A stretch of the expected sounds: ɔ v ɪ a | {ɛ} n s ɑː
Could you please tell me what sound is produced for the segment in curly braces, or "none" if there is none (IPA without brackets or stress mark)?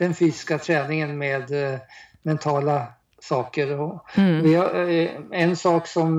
ɛ